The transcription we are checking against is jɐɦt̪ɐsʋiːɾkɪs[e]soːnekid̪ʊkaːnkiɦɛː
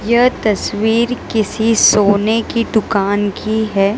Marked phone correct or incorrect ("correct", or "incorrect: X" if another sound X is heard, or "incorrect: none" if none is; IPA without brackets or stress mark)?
incorrect: i